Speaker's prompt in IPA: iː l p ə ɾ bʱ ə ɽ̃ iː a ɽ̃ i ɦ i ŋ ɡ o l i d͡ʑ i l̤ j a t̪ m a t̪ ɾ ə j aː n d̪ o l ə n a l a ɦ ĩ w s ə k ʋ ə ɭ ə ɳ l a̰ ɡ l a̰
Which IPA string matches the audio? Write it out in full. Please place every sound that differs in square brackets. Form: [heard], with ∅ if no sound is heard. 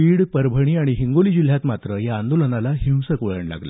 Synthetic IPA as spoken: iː [ɽ] p ə ɾ bʱ ə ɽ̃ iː a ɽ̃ i ɦ i ŋ ɡ o l i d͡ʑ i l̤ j a t̪ m a t̪ ɾ ə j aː n d̪ o l ə n a l a ɦ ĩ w s ə k ʋ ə ɭ ə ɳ l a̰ ɡ l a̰